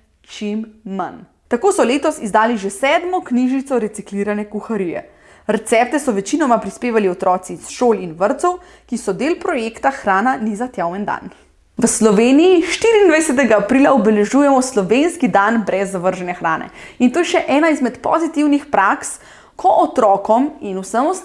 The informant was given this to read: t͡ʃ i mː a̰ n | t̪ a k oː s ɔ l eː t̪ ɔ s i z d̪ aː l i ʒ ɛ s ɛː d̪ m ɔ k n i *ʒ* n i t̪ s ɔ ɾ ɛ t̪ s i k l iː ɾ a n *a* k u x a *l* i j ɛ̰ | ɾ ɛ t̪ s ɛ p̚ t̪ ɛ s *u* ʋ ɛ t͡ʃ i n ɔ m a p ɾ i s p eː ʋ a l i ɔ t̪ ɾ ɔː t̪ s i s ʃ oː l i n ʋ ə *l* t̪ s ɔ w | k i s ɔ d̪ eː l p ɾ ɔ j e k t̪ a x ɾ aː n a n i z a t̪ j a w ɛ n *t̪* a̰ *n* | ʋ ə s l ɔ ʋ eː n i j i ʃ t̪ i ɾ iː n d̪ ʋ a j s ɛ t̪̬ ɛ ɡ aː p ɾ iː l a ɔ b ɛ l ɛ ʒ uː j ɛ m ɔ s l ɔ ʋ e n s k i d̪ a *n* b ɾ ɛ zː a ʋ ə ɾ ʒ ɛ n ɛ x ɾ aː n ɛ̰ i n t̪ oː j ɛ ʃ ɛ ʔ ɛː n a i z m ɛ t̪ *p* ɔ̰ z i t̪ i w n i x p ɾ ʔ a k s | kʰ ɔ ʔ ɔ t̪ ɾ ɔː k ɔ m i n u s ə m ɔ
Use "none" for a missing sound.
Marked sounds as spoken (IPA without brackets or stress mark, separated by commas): ʒ, ɛ, ɾ, ɔ, ɾ, d̪, n, n, p